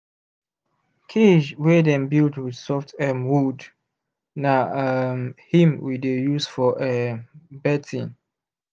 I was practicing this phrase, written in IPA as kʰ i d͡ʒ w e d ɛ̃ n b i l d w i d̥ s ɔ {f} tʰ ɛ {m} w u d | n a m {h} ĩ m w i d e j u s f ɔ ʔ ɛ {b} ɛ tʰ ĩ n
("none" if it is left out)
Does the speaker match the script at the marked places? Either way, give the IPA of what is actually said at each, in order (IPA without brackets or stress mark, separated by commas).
f, m, h, b